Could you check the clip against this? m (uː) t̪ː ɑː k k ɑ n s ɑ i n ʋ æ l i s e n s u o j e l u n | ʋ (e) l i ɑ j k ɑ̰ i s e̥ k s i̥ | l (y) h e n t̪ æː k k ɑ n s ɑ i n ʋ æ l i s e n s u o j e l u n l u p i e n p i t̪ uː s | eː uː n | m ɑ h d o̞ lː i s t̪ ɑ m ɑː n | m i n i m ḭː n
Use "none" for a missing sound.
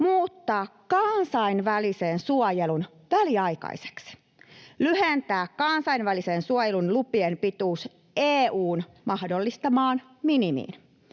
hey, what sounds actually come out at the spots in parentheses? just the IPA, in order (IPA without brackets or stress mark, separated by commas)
uː, æ, y